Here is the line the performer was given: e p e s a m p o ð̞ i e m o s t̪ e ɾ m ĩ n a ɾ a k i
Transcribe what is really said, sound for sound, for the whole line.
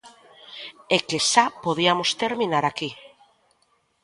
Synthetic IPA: e k e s a p o ð̞ i a m o s t̪ e ɾ m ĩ n a ɾ a k i